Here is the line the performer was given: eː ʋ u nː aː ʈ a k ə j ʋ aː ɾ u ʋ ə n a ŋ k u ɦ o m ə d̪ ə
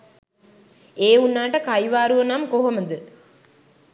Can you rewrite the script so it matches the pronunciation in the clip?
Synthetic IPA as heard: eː u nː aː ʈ ə k a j ʋ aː ɾ u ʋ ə n a m k o ɦ o m ə d̪ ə